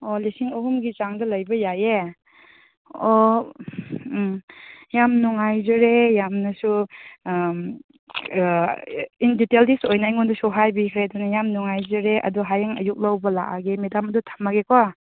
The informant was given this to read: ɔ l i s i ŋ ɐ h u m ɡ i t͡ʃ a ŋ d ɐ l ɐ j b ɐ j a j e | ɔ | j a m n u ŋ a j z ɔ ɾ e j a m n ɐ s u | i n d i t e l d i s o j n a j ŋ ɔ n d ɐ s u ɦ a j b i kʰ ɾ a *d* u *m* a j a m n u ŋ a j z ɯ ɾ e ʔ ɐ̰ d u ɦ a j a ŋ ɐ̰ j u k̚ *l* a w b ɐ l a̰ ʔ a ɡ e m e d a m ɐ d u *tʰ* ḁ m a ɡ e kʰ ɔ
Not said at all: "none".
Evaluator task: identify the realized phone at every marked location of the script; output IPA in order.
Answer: d, n, l, tʰ

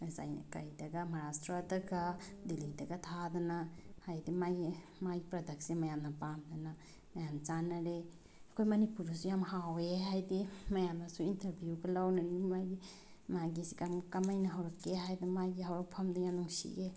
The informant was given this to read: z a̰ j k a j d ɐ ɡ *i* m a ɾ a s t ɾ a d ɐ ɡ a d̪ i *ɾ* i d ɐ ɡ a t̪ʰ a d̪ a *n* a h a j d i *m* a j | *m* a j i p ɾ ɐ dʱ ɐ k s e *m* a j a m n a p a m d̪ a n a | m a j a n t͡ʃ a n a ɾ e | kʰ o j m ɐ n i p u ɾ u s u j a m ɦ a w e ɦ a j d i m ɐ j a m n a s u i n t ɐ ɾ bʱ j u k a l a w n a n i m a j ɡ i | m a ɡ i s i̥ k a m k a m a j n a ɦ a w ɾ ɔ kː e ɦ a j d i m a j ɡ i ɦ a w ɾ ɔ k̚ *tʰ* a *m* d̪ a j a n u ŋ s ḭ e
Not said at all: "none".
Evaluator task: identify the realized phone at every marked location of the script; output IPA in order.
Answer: a, l, n, m, m, m, pʰ, m

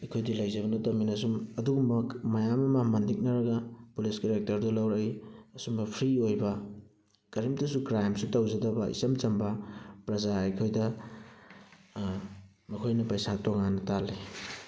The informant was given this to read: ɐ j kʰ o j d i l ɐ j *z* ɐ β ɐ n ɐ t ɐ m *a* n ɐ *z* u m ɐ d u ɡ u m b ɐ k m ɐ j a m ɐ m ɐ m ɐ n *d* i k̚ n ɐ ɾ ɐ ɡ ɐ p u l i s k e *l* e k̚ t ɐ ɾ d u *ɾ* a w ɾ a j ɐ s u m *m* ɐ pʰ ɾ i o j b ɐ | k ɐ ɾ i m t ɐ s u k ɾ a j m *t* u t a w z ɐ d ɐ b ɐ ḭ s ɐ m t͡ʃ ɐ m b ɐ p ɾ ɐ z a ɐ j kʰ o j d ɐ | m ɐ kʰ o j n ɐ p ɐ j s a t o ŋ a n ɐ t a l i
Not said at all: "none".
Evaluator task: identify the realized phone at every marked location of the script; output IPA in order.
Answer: z, i, s, d, ɾ, l, b, s

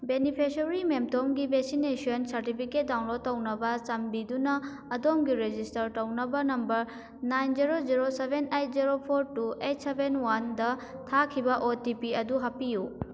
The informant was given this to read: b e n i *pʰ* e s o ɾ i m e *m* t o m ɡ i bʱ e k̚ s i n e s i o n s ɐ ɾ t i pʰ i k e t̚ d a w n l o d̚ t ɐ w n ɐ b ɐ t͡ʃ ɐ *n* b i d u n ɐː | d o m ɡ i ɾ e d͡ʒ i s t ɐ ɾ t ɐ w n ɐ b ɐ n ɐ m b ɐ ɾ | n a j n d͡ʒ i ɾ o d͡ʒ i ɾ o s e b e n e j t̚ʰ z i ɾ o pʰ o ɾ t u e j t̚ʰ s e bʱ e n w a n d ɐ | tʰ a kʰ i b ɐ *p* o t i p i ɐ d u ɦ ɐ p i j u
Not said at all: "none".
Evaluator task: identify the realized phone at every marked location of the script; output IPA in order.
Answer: pʰ, m, m, ʔ

